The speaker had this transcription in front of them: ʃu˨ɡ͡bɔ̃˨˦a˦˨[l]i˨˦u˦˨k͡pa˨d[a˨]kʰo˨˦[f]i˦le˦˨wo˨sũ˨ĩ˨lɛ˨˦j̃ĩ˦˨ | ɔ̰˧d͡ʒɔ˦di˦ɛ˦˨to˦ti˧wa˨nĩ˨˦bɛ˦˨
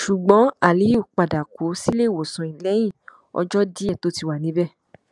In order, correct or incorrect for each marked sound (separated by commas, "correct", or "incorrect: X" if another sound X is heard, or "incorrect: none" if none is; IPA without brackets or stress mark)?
correct, correct, incorrect: s